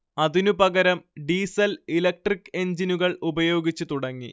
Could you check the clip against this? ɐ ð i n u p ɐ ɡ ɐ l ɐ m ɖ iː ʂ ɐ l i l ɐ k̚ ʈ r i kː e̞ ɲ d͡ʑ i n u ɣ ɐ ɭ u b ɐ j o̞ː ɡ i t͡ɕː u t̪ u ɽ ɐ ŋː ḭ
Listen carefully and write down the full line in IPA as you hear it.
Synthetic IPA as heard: ɐ ð i n u p ɐ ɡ ɐ ɾ ɐ m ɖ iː s ɐ l i l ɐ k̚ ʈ r i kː e̞ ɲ d͡ʑ i n u ɣ ɐ ɭ u b ɐ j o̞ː ɡ i t͡ɕː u t̪ u ɽ ɐ ŋː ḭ

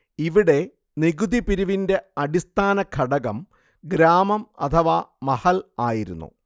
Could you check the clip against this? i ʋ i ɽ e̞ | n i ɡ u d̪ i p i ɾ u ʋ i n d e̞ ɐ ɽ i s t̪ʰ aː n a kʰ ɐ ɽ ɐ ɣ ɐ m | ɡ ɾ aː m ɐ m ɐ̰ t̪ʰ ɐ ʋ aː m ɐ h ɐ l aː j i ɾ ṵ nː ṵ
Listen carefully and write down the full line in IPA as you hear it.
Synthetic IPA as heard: i ʋ i ɽ e̞ | n i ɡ u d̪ i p i ɾ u ʋ i n d e̞ ɐ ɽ i s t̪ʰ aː n ɐ kʰ ɐ ɽ ɐ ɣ ɐ m | ɡ ɾ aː m ɐ m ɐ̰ t̪ʰ ɐ ʋ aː m ɐ h ɐ l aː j i ɾ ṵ nː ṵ

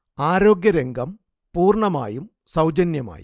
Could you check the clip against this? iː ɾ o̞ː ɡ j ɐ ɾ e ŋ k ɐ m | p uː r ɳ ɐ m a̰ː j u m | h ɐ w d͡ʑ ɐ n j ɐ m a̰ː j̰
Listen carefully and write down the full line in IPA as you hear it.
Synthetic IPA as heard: aː ɾ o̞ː ɡ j ɐ ɾ e ŋ ɡ ɐ m | p uː r ɳ ɐ m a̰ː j u m | s ɐ w d͡ʑ ɐ n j ɐ m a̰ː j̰

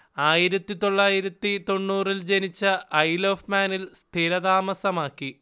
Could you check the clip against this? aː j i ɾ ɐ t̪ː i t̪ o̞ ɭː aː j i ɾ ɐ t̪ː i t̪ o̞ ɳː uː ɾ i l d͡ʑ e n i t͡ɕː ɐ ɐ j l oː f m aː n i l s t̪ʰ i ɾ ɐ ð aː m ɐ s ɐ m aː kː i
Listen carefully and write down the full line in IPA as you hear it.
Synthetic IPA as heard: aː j i ɾ ɐ t̪ː i t̪ o̞ ɭː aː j i ɾ ɐ t̪ː i t̪ o̞ ɳː uː r i l d͡ʑ e n i t͡ɕː ɐ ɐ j l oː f m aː n i l s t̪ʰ i ɾ ɐ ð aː m ɐ s ɐ m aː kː i

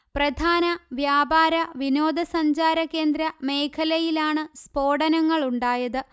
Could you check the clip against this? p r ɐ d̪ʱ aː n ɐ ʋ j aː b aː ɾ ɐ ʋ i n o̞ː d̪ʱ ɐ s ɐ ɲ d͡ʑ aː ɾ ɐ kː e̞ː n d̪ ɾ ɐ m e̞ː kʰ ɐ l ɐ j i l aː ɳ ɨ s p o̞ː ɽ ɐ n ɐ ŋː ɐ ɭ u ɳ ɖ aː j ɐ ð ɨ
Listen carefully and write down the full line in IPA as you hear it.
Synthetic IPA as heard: p r ɐ d̪ʱ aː n ɐ ʋ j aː b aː ɾ ɐ ʋ i n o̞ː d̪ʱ ɐ s ɐ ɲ d͡ʑ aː ɾ ɐ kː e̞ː n d̪ ɾ ɐ m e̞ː kʰ ɐ l ɐ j i l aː ɳ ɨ s p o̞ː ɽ ɐ n ɐ ŋː ɐ ɭ u ɳ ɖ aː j ɐ ð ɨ

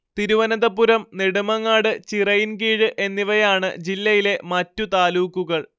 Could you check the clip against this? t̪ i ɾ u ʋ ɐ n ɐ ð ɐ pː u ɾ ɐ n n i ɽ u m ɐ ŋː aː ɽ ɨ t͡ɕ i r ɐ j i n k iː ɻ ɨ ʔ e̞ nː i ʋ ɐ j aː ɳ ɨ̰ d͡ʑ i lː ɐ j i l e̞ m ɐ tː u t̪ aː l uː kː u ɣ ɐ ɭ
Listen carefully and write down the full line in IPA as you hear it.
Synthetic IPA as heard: t̪ i ɾ u ʋ ɐ n ɐ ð ɐ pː u ɾ ɐ m n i ɽ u m ɐ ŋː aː ɽ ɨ t͡ɕ i r ɐ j i n k iː ɻ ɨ ʔ e̞ nː i ʋ ɐ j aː ɳ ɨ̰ d͡ʑ i lː ɐ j i l e̞ m ɐ tː u t̪ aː l uː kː u ɣ ɐ ɭ

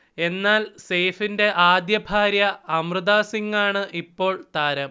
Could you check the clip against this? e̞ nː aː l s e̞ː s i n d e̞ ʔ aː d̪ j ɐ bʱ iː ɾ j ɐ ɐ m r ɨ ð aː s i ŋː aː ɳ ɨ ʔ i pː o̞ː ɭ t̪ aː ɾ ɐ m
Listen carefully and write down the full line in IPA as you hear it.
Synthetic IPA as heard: e̞ nː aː l s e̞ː f i n d e̞ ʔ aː d̪ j ɐ bʱ aː ɾ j ɐ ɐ m r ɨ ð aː s i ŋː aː ɳ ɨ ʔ i pː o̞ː ɭ t̪ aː ɾ ɐ m

